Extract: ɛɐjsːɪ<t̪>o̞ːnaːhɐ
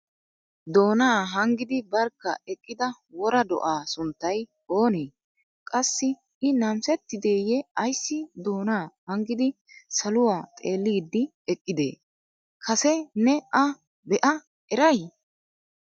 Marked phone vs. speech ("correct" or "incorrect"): incorrect